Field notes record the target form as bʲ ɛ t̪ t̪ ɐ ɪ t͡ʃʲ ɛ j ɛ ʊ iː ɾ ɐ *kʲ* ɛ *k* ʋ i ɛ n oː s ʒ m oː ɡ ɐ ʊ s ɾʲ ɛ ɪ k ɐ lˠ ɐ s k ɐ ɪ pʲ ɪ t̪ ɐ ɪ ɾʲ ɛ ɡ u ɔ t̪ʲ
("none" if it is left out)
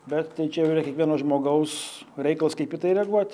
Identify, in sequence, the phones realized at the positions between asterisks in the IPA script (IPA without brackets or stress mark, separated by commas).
kʲ, k